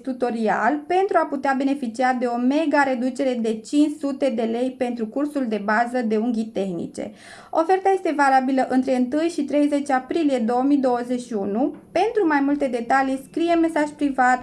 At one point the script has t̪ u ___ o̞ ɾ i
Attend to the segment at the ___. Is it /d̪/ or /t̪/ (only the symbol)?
t̪